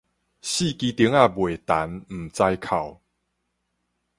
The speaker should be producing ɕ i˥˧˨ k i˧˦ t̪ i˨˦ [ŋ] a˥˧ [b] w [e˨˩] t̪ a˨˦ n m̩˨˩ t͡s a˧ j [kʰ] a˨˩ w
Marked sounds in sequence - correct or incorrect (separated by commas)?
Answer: correct, correct, correct, correct